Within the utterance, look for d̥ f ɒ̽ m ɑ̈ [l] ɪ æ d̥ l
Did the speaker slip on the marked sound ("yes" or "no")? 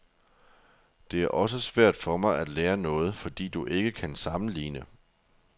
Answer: yes